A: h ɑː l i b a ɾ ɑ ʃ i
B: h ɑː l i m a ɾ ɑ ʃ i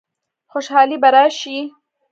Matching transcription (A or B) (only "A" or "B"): A